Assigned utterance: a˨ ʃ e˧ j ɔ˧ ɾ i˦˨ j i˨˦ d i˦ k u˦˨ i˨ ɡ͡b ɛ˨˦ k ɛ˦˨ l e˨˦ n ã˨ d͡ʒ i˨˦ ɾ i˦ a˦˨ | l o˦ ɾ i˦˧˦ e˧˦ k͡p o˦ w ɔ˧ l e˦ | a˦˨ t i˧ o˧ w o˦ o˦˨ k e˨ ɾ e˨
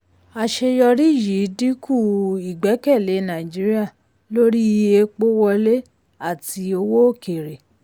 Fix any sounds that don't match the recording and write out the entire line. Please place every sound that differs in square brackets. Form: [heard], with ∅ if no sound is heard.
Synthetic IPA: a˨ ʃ e˧ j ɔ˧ ɾ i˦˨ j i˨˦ d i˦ k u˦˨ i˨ ɡ͡b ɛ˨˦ k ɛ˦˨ l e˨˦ n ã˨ d͡ʒ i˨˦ ɾ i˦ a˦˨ | l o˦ ɾ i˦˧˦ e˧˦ k͡p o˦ w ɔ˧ l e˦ | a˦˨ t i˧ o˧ w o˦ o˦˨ k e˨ ɾ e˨